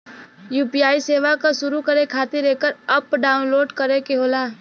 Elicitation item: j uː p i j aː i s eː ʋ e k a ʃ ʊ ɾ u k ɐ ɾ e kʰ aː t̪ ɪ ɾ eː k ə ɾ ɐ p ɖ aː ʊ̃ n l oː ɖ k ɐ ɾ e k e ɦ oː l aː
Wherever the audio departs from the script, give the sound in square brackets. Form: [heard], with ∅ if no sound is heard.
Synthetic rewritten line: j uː p i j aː i s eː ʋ [a] k a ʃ ʊ ɾ u k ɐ ɾ e kʰ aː t̪ ɪ ɾ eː k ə ɾ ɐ p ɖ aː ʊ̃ n l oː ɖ k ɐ ɾ e k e ɦ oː l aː